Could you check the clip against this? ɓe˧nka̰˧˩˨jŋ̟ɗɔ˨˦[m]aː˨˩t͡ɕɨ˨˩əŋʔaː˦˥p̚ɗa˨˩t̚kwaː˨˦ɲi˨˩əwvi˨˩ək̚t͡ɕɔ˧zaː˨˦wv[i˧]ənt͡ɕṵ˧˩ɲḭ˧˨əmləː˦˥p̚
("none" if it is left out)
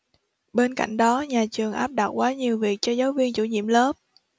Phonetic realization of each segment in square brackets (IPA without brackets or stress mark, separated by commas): ɲ, i˧